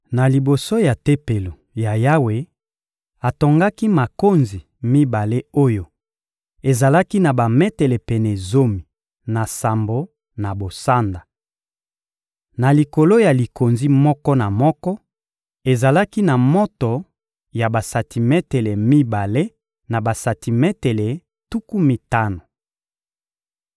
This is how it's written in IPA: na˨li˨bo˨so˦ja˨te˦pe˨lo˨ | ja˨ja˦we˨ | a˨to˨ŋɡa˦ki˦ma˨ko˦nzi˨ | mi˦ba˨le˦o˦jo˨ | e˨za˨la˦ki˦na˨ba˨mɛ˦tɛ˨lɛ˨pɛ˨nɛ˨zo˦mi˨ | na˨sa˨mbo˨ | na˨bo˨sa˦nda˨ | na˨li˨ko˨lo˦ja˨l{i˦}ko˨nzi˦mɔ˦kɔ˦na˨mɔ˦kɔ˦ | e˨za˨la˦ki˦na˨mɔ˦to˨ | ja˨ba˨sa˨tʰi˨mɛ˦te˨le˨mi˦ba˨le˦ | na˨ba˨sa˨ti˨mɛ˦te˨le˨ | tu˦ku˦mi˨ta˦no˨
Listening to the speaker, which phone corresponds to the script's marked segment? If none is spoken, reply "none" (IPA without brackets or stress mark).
i˨